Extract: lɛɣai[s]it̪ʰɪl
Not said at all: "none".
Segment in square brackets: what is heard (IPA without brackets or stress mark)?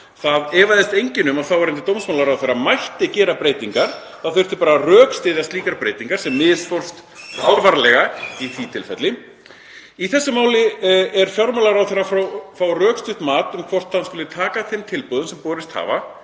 θ